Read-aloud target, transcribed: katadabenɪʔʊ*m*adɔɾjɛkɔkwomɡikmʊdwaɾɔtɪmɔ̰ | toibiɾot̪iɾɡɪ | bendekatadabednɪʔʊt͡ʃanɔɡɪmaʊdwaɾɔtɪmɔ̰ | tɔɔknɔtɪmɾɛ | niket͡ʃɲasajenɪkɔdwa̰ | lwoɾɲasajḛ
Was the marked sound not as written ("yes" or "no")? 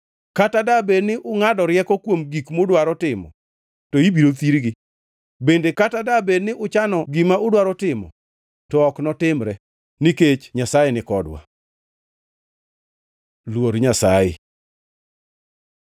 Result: yes